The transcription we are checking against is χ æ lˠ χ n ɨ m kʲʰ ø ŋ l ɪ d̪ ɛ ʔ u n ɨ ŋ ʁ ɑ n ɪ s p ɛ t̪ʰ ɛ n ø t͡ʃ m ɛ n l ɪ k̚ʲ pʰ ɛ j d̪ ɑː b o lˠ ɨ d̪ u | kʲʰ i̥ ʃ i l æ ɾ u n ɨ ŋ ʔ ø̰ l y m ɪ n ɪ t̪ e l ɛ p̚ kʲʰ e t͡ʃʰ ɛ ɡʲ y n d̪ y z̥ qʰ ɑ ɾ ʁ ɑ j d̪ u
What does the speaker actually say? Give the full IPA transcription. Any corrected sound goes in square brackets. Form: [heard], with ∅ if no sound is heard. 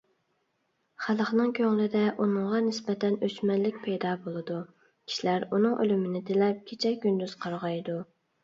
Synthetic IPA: χ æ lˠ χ n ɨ [ŋ] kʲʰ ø ŋ l ɪ d̪ ɛ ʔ u n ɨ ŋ ʁ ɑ n ɪ s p ɛ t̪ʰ ɛ n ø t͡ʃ m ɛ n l ɪ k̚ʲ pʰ ɛ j d̪ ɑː b o lˠ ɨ d̪ u | kʲʰ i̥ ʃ i l æ ɾ u n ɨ ŋ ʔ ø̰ l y m ɪ n ɪ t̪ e l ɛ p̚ kʲʰ e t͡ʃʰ ɛ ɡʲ y n d̪ y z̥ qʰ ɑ ɾ ʁ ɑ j d̪ u